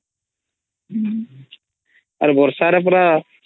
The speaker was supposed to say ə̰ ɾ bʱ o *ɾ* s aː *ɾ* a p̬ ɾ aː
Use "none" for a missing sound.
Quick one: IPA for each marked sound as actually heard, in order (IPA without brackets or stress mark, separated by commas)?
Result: ɾ, ɾ